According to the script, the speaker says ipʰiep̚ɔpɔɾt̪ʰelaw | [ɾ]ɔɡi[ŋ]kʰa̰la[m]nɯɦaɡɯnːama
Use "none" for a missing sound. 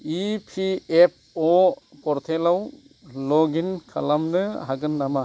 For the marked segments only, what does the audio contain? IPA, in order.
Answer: l, n, m

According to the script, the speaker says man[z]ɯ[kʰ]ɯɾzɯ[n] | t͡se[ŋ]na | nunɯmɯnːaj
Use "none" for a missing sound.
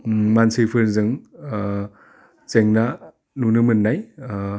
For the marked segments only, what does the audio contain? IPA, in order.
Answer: s, pʰ, ŋ, ŋ

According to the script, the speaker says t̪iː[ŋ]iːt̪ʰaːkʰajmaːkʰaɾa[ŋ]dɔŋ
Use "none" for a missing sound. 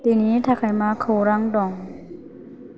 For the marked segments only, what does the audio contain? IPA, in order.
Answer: n, ŋ

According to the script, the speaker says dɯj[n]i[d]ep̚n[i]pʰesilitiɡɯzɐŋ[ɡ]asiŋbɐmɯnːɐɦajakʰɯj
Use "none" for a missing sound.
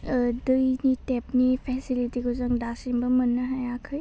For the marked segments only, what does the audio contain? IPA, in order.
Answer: n, t, i, d

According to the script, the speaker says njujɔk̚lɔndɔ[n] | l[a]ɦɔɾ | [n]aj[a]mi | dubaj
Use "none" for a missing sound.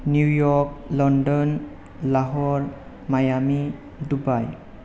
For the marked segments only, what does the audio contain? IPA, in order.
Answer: n, a, m, a

